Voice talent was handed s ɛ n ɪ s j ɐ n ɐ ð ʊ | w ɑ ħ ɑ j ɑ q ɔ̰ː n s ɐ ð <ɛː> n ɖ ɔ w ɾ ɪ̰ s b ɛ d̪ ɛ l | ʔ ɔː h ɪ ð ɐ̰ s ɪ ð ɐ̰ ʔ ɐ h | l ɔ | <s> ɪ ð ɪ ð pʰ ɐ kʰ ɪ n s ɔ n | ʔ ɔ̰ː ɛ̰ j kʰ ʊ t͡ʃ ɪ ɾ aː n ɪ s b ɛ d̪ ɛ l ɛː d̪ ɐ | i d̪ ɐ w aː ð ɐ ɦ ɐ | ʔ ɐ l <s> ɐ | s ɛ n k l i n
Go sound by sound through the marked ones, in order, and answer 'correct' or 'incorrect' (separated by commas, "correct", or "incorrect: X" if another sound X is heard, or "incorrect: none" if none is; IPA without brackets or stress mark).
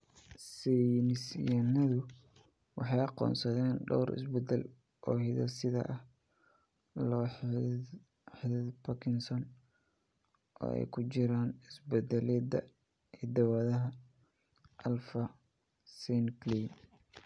correct, incorrect: ħ, incorrect: f